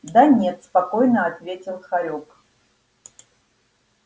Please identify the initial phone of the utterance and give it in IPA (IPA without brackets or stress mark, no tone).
d̪